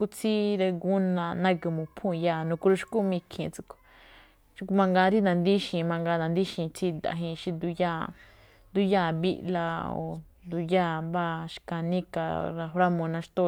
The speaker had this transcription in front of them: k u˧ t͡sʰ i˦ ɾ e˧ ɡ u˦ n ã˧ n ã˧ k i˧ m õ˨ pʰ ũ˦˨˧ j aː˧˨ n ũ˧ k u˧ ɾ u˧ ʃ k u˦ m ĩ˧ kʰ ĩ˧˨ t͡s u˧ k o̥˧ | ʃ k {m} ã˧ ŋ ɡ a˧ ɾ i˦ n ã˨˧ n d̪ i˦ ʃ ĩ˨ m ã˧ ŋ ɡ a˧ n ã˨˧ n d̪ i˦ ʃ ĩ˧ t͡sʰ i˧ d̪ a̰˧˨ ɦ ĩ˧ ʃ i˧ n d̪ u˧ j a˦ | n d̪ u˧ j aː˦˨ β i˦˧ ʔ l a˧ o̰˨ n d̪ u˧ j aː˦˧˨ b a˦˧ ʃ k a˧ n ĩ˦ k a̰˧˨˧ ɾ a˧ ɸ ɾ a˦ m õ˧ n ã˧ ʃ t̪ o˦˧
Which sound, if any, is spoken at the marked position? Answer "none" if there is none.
m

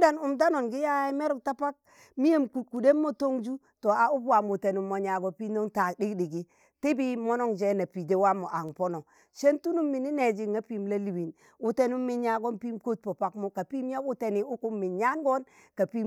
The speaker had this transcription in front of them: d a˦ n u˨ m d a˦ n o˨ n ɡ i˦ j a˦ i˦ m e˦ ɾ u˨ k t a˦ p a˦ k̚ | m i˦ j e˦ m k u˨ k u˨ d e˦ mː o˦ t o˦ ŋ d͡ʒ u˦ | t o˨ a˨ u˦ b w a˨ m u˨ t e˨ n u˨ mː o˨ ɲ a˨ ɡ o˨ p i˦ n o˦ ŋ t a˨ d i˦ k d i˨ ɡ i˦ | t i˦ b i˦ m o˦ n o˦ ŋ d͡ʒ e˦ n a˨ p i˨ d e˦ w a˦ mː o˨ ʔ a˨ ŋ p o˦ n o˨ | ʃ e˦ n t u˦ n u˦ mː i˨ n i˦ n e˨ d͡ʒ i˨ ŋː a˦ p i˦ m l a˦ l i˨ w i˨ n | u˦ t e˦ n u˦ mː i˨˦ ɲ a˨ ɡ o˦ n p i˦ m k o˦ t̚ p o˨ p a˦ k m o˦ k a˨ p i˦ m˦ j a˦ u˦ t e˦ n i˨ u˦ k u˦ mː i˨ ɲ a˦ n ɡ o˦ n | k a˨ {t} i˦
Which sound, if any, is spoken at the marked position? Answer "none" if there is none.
p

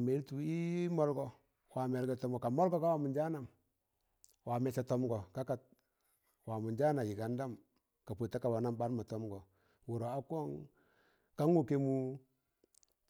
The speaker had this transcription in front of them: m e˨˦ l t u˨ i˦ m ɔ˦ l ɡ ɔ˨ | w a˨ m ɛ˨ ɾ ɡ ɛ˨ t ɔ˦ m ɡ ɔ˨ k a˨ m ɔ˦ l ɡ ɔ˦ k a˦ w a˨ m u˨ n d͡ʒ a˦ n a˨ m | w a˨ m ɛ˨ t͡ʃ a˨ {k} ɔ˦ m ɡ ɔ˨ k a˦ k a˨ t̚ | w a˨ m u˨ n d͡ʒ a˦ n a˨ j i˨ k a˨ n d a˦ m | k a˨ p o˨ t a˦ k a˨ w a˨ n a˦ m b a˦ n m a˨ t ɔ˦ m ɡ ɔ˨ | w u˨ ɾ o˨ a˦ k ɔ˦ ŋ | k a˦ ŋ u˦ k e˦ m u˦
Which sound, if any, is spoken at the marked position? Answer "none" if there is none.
t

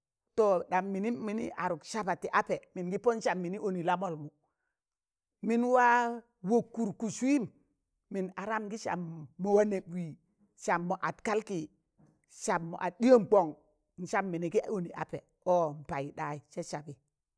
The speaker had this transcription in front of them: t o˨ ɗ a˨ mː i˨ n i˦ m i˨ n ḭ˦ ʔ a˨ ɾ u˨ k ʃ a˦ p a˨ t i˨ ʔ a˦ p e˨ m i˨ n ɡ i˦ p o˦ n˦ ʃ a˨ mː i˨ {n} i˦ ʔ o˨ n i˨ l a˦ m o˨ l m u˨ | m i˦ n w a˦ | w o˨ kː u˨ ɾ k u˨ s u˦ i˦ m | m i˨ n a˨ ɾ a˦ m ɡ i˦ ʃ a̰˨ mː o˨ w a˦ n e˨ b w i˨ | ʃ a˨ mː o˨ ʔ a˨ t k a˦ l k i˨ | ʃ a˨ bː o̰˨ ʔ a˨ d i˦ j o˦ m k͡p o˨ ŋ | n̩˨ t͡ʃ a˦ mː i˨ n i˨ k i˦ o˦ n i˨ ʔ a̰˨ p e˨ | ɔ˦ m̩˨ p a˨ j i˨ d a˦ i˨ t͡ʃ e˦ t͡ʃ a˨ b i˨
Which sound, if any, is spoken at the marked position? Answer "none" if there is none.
n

